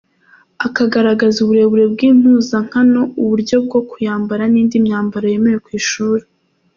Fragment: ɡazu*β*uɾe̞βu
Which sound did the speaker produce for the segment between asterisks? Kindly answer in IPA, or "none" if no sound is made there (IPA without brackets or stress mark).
β